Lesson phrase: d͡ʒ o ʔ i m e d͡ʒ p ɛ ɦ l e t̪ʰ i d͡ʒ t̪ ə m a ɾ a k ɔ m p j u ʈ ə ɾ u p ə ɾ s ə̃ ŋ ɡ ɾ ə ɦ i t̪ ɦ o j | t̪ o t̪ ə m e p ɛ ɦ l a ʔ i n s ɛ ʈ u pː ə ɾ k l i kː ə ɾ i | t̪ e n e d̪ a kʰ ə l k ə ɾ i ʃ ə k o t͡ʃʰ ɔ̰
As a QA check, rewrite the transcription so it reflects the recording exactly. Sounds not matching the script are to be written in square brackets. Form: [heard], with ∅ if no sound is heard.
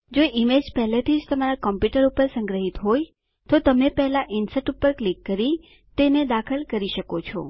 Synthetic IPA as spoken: d͡ʒ o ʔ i m e d͡ʒ p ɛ ɦ l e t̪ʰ i d͡ʒ t̪ ə m a ɾ a k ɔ m p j u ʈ ə ɾ u p ə ɾ s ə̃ ŋ ɡ ɾ ə ɦ i t̪ ɦ o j | t̪ o t̪ ə m e p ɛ ɦ l a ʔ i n s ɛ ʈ u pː ə ɾ k l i kː ə ɾ i | t̪ e n e d̪ a kʰ ə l k ə ɾ i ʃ ə k o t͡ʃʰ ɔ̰